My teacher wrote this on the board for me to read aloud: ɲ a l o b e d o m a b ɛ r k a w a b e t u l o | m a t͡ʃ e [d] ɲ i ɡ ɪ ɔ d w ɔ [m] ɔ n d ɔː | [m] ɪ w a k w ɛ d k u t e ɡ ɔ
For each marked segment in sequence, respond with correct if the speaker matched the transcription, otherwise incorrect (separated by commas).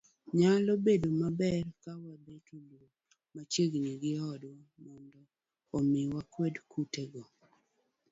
incorrect, correct, correct